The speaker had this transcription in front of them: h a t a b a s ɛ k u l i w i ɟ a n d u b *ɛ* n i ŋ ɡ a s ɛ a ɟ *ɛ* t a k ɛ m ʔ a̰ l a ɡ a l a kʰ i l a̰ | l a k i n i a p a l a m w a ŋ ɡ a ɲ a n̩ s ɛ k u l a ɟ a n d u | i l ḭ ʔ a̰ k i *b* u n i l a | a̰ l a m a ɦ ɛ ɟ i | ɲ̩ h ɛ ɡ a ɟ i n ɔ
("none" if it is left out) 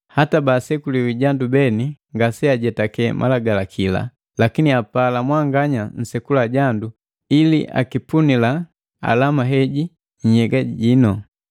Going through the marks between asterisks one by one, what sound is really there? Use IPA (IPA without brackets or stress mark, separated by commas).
ɛ, ɛ, p